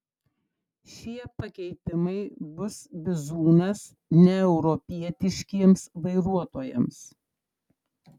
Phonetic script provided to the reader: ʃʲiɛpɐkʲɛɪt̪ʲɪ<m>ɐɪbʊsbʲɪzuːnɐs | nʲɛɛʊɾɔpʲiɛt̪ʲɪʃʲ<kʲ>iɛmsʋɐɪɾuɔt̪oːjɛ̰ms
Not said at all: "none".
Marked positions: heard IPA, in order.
m, kʲ

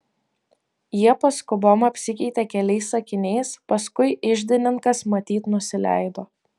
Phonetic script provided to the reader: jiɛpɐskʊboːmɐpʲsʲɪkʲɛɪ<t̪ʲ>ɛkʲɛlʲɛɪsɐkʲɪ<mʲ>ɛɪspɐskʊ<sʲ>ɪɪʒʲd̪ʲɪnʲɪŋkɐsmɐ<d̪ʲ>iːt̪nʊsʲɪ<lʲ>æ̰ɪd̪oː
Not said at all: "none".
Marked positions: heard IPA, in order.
t̪ʲ, nʲ, none, t̪ʲ, lʲ

